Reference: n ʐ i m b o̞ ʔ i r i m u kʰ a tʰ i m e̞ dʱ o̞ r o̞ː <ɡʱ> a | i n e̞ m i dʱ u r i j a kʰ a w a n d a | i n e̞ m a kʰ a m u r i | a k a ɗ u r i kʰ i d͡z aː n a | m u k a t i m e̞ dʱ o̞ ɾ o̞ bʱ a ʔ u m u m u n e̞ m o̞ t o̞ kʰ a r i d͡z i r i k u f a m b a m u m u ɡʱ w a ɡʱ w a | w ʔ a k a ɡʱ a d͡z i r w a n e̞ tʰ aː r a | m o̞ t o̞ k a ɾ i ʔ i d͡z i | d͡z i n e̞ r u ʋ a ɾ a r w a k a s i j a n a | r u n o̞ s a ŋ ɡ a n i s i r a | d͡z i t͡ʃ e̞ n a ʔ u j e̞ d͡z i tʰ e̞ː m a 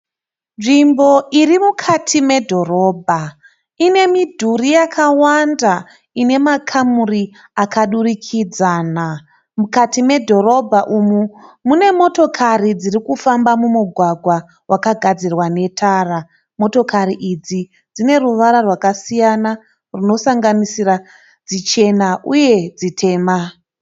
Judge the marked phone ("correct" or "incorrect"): incorrect